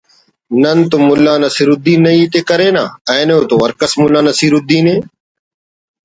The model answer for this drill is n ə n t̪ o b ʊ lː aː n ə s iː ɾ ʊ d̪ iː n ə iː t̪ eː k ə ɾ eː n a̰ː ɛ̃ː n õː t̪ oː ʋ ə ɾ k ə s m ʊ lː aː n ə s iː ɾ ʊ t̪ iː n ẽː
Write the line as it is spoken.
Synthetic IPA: n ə n t̪ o m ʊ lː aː n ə s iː ɾ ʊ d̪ iː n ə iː t̪ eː k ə ɾ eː n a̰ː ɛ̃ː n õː t̪ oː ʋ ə ɾ k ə s m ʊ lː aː n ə s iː ɾ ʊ d̪ iː n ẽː